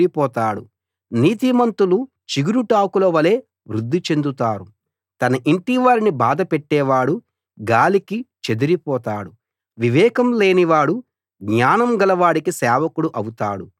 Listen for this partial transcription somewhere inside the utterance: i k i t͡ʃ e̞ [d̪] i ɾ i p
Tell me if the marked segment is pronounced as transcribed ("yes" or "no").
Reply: yes